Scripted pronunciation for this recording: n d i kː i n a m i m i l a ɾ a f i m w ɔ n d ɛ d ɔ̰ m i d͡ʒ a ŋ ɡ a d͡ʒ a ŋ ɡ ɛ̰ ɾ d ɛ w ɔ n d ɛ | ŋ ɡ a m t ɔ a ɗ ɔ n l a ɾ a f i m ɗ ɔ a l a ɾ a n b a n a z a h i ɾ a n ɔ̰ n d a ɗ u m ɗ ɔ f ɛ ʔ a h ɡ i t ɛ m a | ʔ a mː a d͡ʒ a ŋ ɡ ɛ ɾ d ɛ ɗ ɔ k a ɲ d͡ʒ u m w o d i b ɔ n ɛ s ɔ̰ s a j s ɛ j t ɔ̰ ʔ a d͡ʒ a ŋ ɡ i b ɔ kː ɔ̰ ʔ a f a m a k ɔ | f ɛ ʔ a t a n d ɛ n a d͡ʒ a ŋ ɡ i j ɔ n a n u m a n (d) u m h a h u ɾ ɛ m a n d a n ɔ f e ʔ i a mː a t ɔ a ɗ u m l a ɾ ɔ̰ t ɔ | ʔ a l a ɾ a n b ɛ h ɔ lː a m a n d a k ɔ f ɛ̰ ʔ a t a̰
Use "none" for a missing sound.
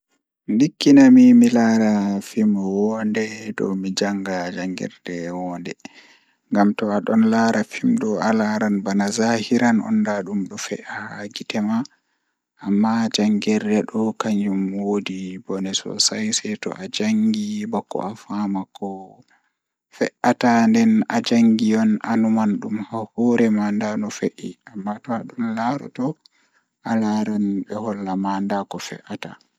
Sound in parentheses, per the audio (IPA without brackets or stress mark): ɗ